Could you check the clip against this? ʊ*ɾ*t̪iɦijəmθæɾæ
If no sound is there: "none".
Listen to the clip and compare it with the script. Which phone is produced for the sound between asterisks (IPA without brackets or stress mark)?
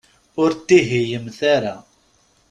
ɾ